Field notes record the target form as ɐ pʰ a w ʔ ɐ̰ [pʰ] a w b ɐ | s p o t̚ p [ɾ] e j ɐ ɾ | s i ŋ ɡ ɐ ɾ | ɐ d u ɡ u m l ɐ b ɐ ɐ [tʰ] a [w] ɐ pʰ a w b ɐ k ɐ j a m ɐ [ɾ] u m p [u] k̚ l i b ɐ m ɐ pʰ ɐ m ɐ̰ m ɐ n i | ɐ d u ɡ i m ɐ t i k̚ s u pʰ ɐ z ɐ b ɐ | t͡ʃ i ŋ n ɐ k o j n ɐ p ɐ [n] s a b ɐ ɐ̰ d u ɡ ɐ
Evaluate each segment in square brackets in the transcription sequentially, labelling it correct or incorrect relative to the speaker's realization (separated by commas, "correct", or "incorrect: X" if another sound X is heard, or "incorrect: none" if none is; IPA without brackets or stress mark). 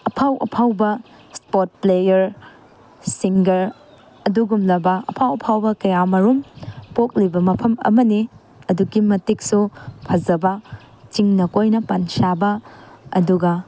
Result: correct, incorrect: l, incorrect: pʰ, correct, correct, incorrect: o, correct